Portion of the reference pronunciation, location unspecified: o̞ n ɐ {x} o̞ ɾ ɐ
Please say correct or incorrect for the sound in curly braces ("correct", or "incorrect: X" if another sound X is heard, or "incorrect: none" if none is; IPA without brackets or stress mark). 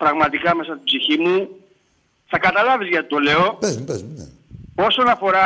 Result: incorrect: f